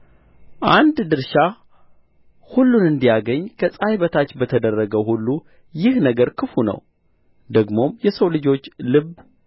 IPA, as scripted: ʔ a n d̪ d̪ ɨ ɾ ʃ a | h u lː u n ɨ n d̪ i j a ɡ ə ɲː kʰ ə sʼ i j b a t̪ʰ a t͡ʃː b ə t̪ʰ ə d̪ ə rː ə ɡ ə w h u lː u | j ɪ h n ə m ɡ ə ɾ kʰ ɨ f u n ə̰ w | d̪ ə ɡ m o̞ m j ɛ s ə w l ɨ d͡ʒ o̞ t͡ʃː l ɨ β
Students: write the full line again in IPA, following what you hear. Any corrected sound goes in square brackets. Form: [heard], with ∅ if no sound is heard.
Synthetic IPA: ʔ a n d̪ d̪ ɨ ɾ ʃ a | h u lː u n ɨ n d̪ i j a ɡ ə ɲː kʰ ə sʼ [a] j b [ə] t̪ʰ a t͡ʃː b ə t̪ʰ ə d̪ ə rː ə ɡ ə w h u lː u | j ɪ h n ə [∅] ɡ ə ɾ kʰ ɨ f u n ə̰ w | d̪ ə ɡ m o̞ m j ɛ s ə w l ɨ d͡ʒ o̞ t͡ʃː l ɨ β